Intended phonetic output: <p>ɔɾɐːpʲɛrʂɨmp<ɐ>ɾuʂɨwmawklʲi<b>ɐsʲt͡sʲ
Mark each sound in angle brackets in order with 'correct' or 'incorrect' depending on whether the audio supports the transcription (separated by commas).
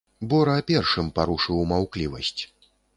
incorrect, incorrect, incorrect